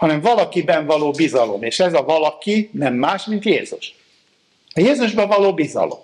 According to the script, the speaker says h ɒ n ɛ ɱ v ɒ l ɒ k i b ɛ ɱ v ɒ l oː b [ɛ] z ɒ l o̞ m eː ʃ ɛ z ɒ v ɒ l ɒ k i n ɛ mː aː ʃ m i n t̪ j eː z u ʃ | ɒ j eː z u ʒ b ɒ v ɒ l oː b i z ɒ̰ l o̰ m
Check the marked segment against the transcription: incorrect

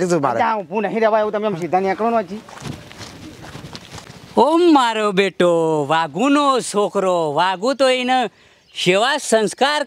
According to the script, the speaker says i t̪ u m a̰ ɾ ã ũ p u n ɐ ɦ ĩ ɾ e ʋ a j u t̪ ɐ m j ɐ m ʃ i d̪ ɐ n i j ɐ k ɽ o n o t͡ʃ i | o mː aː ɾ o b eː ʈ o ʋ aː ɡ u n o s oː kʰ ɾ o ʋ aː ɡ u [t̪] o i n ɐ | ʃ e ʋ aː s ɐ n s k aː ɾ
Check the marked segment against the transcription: correct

